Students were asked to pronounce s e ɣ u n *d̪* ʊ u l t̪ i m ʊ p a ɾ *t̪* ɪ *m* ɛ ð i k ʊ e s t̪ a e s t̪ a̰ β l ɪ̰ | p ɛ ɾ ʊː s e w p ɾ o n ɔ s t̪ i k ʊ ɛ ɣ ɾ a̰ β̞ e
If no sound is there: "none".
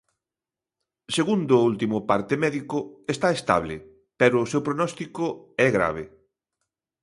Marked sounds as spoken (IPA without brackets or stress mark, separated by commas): d̪, t̪, m